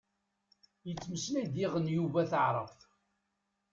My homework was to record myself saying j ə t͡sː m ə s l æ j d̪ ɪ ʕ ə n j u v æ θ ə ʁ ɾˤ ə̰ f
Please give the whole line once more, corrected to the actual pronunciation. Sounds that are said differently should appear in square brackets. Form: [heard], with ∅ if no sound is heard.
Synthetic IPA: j ə t͡sː m ə s l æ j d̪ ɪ [ʁ] ə n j u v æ θ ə [ʕ] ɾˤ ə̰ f

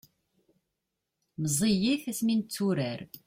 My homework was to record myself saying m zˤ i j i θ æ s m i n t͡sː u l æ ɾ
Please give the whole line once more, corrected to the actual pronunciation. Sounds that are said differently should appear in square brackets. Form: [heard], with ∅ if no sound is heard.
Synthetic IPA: m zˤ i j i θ æ s m i n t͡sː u [ɾ] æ ɾ

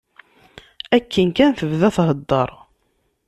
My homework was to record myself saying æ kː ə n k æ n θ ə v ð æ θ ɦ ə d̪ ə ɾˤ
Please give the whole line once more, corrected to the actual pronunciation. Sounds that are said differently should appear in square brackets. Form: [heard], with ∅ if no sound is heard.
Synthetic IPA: æ kː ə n k æ n θ ə v ð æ θ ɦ ə [d̪ː] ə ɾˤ

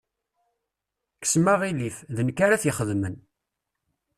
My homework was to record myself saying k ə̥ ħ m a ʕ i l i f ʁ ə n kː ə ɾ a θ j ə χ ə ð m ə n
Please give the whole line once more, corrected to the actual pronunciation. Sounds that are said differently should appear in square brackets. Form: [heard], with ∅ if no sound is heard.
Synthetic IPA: k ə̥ [s] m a [ʁ] i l i f [ð] ə n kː [a] ɾ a θ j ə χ ə ð m ə n

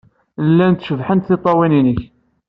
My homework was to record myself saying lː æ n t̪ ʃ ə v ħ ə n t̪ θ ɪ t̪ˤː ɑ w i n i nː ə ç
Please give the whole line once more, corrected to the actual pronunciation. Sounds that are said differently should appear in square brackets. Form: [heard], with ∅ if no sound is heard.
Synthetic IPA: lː æ n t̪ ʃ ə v ħ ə n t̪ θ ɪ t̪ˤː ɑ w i n i [n] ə ç

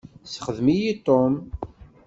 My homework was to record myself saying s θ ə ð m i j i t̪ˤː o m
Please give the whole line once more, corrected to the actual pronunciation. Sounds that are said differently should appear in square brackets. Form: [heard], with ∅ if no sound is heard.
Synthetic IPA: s [χ] ə ð m i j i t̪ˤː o m

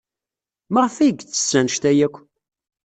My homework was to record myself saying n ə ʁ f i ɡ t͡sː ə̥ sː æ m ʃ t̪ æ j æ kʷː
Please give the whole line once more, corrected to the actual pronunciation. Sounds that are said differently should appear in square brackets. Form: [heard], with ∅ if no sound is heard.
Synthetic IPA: [m] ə ʁ f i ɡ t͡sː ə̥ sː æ [n] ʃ t̪ æ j æ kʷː

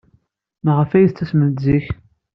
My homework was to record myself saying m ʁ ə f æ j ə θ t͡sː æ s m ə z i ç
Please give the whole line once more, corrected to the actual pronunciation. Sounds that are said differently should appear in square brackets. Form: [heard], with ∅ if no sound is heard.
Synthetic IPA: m ʁ ə f æ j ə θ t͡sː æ s m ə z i ç

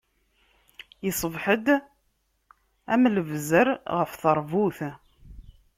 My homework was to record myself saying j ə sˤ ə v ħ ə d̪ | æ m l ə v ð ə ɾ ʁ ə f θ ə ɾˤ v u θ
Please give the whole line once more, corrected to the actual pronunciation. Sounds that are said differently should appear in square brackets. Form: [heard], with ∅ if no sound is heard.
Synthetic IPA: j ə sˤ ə v ħ ə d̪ | æ m l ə v [z] ə ɾ ʁ ə f θ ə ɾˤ v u θ

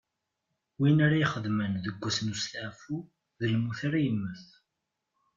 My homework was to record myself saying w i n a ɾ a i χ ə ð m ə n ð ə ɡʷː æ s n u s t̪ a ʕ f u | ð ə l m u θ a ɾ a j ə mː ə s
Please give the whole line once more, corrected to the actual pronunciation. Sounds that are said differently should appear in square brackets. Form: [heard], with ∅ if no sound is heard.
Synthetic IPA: w i n a ɾ a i χ ə ð m ə n ð ə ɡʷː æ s n u s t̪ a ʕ f u | ð ə l m u θ a ɾ a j ə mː ə [θ]

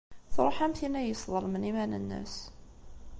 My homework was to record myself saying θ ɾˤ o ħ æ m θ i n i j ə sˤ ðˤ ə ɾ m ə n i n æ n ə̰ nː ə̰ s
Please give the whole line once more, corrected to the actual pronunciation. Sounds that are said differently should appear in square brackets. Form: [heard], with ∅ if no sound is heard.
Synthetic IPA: θ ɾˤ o ħ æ m θ i n [æ] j ə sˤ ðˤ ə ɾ m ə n i [m] æ n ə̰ nː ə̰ s

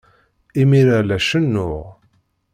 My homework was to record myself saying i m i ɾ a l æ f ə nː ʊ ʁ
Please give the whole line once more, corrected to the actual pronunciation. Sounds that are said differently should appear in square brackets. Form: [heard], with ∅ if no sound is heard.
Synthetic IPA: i m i ɾ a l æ [ʃ] ə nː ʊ ʁ

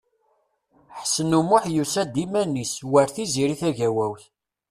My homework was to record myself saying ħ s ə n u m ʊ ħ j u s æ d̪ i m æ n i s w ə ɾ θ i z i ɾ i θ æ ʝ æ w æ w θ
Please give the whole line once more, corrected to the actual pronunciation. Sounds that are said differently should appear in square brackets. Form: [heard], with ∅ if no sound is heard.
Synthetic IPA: ħ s ə n u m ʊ ħ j u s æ d̪ i m æ n i s w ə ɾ θ i z i ɾ i θ æ ʝ æ w æ w θ

